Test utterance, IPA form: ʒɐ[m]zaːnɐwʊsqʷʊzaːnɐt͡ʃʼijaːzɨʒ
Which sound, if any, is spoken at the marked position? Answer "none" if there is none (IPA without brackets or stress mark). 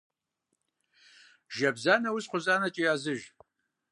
b